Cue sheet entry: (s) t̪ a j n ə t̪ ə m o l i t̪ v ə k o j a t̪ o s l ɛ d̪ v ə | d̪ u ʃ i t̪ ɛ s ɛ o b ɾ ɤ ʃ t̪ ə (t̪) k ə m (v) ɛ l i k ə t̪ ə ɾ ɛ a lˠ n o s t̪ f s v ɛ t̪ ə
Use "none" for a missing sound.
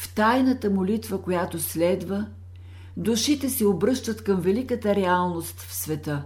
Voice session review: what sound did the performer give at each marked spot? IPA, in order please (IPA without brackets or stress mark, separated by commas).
f, t̪, v